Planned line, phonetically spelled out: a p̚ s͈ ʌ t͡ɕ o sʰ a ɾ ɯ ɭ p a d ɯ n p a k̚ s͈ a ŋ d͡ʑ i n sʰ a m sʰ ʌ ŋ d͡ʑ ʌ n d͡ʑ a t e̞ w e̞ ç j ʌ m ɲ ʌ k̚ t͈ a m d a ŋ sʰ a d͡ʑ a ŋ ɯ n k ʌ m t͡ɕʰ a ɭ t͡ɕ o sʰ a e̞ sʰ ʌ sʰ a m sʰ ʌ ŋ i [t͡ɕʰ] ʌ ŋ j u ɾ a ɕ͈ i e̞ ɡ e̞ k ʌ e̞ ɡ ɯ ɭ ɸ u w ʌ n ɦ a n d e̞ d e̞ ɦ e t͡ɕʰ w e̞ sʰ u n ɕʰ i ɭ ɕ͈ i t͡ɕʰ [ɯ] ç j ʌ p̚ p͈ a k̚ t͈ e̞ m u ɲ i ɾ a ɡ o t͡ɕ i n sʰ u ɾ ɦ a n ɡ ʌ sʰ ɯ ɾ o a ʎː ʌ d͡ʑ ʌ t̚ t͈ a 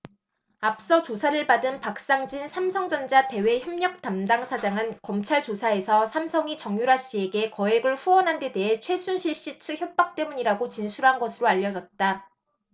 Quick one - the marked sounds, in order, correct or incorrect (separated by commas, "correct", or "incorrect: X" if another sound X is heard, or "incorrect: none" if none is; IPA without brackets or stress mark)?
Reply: incorrect: t͡ɕ, correct